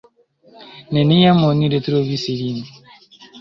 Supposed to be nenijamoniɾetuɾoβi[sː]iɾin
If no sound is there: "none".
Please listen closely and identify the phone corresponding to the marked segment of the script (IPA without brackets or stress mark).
s